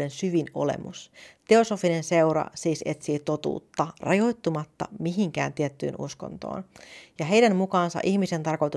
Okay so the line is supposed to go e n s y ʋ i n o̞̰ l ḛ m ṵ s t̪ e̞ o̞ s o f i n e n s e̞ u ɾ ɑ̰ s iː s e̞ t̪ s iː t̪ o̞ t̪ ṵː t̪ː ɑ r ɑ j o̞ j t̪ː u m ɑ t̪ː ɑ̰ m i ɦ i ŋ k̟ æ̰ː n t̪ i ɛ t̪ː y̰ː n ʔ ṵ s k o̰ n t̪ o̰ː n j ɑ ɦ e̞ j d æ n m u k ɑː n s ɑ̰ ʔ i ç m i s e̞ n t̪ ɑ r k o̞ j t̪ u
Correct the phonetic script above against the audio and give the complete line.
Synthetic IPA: e n s y ʋ i n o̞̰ l ḛ m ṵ s t̪ e̞ o̞ s o f i n e n s e̞ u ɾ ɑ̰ s iː s e̞ t̪ s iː t̪ o̞ t̪ ṵː t̪ː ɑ r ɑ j o̞ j t̪ː u m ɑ t̪ː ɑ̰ m i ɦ i ŋ k̟ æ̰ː n t̪ i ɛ t̪ː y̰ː n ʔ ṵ s k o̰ n t̪ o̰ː n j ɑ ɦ e̞ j d æ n m u k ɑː n s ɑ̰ ʔ i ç m i s e̞ n t̪ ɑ r k o̞ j t̪ u